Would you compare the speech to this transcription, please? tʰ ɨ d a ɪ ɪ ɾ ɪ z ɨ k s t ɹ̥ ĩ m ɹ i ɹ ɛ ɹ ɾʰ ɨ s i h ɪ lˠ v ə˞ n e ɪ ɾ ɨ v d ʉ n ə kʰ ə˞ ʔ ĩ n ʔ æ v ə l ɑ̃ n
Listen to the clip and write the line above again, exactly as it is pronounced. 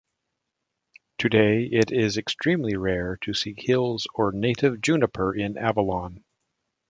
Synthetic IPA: tʰ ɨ d e ɪ ɪ ɾ ɪ z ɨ k s t ɹ̥ ĩ m l i ɹ ɛ ɹ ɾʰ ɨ s i h ɪ lˠ z ə˞ n e ɪ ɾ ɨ v d͡ʒ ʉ n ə pʰ ə˞ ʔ ɪ̃ n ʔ æ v ə l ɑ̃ n